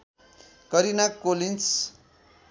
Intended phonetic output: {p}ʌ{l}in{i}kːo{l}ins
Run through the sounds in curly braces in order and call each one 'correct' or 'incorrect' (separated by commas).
incorrect, incorrect, incorrect, correct